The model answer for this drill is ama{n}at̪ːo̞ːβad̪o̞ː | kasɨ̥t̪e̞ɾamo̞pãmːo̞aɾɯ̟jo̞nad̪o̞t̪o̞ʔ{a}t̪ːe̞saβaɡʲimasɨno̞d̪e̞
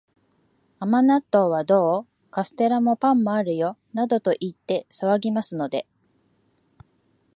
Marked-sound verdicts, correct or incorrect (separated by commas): correct, incorrect